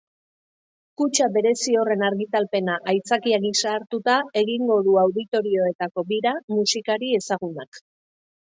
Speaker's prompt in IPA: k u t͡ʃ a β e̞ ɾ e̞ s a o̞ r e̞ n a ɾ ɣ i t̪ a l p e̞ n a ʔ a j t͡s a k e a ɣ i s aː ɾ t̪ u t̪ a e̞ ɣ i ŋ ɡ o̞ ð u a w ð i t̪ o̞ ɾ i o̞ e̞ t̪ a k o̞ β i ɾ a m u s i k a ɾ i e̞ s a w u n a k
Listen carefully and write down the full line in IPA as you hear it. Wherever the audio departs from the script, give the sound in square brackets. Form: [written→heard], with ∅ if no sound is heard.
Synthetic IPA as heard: k u t͡ʃ a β e̞ ɾ e̞ s [a→i] o̞ r e̞ n a ɾ ɣ i t̪ a l p e̞ n a ʔ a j t͡s a k [e→i] a ɣ i s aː ɾ t̪ u t̪ a e̞ ɣ i ŋ ɡ o̞ ð u a w ð i t̪ o̞ ɾ i o̞ e̞ t̪ a k o̞ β i ɾ a m u s i k a ɾ i e̞ s a [w→ɣ] u n a k